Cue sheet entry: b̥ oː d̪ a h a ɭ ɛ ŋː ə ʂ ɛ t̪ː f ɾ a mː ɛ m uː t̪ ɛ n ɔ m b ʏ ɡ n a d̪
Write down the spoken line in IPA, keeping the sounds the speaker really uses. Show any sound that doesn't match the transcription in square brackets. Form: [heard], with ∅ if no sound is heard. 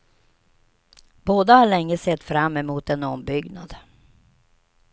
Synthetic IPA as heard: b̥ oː d̪ a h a ɭ ɛ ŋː ə [s] ɛ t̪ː f ɾ a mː ɛ m uː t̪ ɛ n ɔ m b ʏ ɡ n a d̪